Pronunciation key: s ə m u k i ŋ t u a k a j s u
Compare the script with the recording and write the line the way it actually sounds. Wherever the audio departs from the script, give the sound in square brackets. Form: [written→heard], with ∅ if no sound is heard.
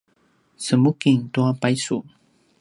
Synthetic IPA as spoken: s ə m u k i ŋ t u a [k→p] a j s u